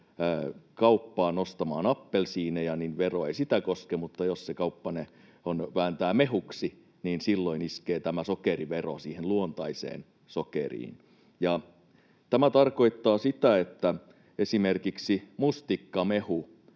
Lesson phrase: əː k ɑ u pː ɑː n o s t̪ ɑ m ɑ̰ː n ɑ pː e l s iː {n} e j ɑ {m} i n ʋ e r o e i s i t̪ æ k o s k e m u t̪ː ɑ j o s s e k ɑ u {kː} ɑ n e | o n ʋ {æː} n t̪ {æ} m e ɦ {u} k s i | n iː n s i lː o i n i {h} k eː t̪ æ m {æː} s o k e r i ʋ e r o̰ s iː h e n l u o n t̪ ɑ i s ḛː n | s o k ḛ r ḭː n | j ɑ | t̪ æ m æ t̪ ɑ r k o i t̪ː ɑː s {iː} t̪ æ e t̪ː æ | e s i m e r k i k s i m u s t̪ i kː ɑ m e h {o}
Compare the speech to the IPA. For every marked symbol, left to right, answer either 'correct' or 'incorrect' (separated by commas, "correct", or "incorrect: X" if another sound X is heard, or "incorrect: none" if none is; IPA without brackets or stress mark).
correct, incorrect: n, incorrect: pː, correct, incorrect: æː, correct, incorrect: s, incorrect: æ, incorrect: i, incorrect: u